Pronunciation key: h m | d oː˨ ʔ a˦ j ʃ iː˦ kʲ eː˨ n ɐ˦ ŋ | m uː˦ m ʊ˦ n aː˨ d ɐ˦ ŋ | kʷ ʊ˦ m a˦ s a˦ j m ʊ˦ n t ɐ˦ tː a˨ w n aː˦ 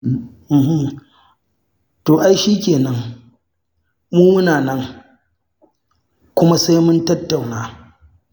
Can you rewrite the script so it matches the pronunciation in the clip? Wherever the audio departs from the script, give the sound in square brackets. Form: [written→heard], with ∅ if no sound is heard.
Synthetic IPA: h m | [d→t] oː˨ ʔ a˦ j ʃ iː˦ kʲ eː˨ n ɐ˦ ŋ | m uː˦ m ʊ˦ n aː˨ [d→n] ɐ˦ ŋ | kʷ ʊ˦ m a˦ s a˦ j m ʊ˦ n t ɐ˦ tː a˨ w n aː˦